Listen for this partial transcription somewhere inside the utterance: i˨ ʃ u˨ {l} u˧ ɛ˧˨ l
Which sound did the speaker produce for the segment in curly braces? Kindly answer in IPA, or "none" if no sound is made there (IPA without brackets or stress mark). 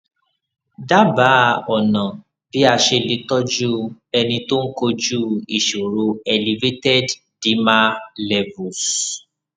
ɾ